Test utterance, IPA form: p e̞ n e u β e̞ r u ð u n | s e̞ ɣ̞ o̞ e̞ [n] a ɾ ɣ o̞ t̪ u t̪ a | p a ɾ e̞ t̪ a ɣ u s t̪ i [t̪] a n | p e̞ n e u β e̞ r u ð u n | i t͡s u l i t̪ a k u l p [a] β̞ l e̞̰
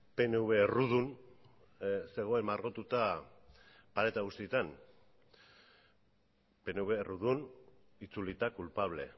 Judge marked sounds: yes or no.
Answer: no, yes, yes

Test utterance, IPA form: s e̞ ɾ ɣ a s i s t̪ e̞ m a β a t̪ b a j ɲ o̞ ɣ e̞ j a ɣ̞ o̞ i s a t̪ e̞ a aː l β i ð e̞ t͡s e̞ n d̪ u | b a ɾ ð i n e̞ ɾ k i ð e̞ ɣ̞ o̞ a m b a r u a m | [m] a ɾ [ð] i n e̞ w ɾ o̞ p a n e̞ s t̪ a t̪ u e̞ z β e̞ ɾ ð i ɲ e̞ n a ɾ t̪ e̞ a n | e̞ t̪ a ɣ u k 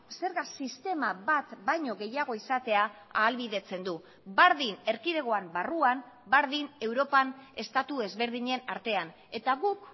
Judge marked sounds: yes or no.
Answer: no, yes

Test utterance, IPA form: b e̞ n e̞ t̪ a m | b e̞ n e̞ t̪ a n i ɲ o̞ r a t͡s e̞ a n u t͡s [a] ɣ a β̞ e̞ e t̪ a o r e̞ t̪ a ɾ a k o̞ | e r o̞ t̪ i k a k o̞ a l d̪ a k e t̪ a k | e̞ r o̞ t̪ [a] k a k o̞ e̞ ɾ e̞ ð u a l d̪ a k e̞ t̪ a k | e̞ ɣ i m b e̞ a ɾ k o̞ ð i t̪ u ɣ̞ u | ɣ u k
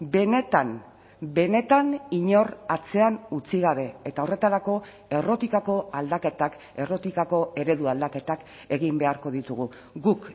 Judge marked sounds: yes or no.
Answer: no, no

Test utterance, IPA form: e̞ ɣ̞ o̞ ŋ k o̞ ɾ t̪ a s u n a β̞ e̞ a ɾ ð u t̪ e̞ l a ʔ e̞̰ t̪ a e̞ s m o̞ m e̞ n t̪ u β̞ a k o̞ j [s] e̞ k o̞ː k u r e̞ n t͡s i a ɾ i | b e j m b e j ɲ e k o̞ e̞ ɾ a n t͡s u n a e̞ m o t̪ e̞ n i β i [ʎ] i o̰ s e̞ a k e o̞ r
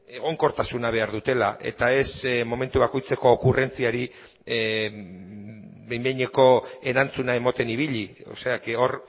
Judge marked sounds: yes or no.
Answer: no, yes

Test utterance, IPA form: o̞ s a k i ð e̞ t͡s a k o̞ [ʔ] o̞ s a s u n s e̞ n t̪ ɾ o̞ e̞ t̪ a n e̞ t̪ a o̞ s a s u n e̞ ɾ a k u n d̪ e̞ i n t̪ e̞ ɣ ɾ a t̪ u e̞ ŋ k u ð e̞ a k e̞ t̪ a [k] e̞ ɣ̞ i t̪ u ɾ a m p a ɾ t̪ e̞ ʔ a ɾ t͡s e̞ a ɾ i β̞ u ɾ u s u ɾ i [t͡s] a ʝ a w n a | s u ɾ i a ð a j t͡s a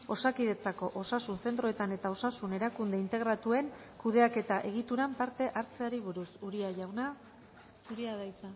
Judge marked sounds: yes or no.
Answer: yes, no, no

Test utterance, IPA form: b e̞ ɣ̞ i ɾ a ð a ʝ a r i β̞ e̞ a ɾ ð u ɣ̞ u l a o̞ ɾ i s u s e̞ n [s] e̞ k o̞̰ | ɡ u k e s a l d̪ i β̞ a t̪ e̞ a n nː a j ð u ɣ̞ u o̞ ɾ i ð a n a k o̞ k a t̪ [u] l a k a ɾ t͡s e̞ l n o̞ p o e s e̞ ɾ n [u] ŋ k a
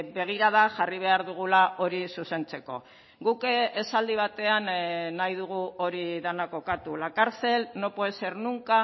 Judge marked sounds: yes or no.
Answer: no, yes, yes

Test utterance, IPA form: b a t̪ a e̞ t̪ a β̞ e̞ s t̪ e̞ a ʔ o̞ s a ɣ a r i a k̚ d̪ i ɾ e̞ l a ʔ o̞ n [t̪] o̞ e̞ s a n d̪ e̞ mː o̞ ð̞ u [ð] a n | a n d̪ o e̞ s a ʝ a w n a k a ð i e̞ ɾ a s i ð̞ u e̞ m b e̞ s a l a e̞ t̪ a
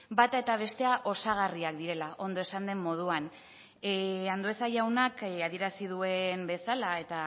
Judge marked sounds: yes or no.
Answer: no, no

